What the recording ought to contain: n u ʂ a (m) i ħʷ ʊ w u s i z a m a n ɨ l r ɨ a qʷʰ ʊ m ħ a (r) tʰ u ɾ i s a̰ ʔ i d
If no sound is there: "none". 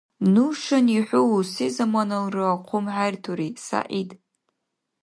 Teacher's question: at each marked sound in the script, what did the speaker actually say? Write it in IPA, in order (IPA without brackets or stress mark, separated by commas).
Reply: n, r